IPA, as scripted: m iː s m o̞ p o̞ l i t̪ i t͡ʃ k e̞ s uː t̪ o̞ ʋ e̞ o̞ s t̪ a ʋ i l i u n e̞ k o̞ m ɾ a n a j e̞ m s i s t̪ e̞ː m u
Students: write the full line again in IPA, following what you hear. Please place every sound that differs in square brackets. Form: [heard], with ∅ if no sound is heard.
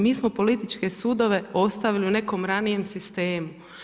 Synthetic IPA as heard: m iː s m o̞ p o̞ l i t̪ i t͡ʃ k e̞ s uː [d̪] o̞ ʋ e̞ o̞ s t̪ a ʋ i l i u n e̞ k o̞ m ɾ a n [i] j e̞ m s i s t̪ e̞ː m u